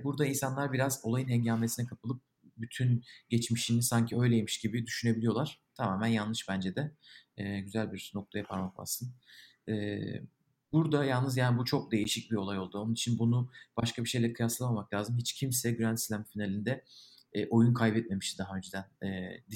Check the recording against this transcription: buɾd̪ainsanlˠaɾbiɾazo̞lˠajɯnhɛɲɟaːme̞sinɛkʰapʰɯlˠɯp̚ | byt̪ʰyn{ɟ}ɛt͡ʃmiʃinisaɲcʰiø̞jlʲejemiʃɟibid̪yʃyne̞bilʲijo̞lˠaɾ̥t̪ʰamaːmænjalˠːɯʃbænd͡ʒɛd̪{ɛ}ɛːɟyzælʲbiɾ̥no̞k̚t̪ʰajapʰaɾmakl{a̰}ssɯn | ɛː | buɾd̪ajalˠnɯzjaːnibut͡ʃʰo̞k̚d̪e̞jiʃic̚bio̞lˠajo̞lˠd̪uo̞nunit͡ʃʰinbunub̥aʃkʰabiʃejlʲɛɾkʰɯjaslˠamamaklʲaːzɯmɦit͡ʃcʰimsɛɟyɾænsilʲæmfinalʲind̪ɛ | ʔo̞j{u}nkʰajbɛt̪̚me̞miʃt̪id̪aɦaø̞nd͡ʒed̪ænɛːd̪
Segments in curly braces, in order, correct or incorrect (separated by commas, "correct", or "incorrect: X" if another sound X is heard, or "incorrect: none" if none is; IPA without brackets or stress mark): correct, correct, correct, correct